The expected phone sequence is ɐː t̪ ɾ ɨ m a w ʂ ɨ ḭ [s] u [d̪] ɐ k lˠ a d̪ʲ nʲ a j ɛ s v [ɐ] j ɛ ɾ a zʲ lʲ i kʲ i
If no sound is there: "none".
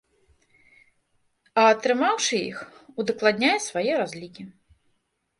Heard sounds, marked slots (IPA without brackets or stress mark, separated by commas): x, d̪, a